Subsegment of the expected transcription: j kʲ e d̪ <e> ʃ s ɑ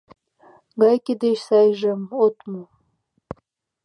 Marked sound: correct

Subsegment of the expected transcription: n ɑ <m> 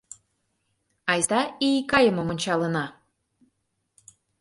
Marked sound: incorrect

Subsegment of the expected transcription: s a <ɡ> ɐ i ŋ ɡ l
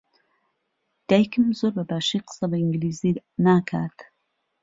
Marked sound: incorrect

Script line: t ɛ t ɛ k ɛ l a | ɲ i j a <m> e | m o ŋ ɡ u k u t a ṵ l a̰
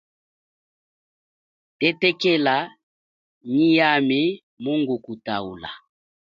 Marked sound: correct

